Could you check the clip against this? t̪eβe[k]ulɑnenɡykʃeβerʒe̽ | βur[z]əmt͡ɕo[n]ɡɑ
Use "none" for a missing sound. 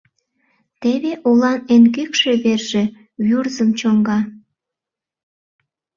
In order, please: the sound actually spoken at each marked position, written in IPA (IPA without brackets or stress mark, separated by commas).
ʔ, z, ŋ